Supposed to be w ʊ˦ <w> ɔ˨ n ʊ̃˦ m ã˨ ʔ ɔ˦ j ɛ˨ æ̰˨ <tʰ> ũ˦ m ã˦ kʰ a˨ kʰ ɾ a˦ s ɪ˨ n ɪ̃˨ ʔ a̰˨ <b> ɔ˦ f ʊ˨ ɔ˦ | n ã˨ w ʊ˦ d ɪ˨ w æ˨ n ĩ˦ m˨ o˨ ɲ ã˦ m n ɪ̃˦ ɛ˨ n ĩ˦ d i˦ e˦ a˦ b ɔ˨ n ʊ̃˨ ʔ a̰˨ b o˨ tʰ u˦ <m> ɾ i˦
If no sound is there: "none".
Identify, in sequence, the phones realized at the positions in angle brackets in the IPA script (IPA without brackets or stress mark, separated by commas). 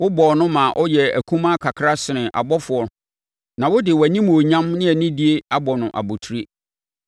b, kʰ, b, none